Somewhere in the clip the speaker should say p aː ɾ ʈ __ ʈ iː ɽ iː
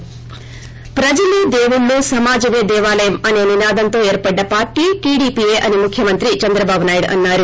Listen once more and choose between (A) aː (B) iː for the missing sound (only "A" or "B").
B